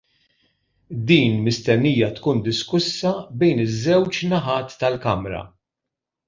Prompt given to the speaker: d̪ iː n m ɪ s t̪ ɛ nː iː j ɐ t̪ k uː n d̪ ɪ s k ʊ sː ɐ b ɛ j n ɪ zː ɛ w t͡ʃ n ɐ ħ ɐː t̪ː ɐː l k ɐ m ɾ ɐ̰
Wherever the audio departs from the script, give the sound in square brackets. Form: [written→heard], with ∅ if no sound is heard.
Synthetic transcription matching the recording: d̪ iː n m ɪ s t̪ ɛ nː iː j ɐ t̪ k uː n d̪ ɪ s k ʊ sː ɐ b ɛ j n ɪ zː ɛ w t͡ʃ n ɐ ħ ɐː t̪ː [ɐː→ɐ] l k ɐ m ɾ ɐ̰